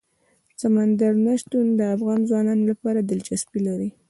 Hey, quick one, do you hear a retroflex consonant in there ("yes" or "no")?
no